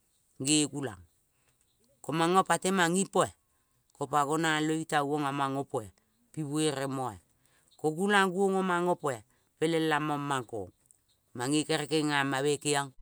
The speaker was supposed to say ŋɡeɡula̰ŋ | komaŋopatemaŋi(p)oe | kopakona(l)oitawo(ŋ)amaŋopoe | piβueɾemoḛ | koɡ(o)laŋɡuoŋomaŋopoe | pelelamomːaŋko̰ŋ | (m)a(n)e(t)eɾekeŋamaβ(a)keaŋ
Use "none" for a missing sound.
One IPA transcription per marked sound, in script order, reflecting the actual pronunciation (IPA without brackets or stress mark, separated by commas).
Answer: p, l, ŋ, u, m, ŋ, k, e